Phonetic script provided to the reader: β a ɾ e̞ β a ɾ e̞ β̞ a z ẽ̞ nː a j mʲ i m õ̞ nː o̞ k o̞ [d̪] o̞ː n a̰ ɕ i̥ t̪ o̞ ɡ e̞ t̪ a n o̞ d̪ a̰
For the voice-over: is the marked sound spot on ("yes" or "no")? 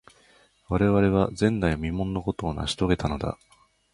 no